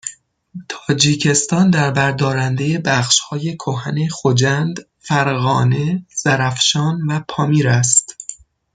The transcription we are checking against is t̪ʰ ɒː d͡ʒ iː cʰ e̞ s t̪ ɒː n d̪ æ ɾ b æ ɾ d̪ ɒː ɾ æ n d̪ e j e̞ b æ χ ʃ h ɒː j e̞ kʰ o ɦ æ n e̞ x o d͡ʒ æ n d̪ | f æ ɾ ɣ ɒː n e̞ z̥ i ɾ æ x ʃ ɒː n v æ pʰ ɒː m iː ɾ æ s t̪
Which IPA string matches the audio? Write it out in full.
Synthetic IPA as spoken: t̪ʰ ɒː d͡ʒ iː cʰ e̞ s t̪ ɒː n d̪ æ ɾ b æ ɾ d̪ ɒː ɾ æ n d̪ e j e̞ b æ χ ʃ h ɒː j e̞ kʰ o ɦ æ n e̞ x o d͡ʒ æ n d̪ | f æ ɾ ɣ ɒː n e̞ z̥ æ ɾ æ f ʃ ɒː n v æ pʰ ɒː m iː ɾ æ s t̪